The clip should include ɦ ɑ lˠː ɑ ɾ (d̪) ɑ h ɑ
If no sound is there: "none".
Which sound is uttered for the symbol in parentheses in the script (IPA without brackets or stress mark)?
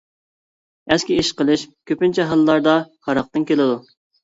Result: d̪